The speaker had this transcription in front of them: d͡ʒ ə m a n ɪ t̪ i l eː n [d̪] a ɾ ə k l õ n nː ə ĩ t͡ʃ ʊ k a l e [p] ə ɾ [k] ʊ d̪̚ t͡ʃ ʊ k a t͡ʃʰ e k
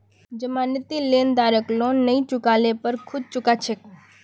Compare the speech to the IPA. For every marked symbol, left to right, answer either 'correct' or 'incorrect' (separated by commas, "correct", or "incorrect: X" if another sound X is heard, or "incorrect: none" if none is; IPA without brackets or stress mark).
correct, correct, incorrect: kʰ